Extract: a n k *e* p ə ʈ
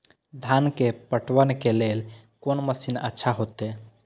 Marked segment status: correct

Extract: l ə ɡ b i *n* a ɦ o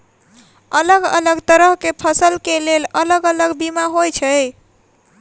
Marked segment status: incorrect: m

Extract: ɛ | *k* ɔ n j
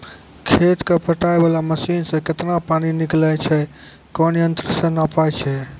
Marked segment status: correct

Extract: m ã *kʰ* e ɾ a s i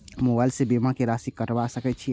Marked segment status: incorrect: k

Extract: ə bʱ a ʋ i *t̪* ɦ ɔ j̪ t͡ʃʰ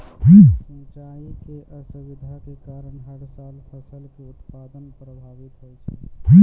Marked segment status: correct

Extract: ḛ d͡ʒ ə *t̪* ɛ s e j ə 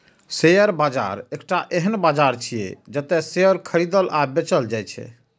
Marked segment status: correct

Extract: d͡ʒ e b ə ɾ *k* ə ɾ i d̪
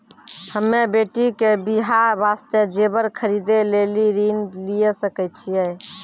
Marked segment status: incorrect: kʰ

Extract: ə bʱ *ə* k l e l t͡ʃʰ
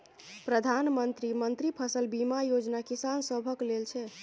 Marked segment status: correct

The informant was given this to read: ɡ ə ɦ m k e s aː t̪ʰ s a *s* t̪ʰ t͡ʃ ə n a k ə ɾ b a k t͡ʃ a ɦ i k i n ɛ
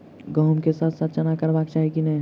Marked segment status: incorrect: none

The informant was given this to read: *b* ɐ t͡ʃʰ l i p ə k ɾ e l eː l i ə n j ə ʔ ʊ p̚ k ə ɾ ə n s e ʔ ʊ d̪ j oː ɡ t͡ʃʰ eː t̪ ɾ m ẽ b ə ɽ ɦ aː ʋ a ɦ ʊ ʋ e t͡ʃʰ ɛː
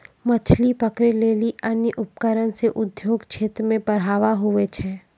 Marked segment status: incorrect: m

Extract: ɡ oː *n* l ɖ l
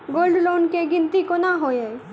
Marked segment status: incorrect: none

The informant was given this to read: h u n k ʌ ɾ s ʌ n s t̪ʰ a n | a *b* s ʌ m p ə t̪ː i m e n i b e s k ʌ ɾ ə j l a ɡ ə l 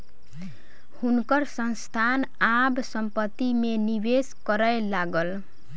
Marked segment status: correct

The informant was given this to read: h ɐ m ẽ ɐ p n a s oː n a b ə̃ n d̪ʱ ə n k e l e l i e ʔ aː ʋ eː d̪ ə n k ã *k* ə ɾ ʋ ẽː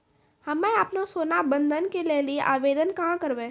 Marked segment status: correct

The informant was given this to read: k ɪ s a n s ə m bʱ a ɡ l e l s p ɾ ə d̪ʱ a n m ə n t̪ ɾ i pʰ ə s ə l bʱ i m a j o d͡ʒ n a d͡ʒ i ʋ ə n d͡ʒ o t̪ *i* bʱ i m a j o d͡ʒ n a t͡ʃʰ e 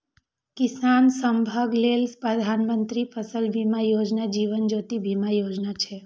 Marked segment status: correct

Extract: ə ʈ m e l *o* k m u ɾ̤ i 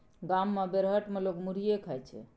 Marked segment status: correct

